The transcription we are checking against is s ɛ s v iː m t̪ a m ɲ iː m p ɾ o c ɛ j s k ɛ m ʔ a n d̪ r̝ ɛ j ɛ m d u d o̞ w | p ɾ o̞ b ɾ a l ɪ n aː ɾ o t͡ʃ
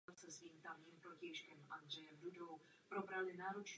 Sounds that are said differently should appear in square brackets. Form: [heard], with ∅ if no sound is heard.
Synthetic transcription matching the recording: s ɛ s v iː m t̪ a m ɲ iː m p ɾ o c ɛ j [ʃ] k ɛ m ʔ a n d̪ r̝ ɛ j ɛ m d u d o̞ w | p ɾ o̞ b ɾ a l ɪ n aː ɾ o t͡ʃ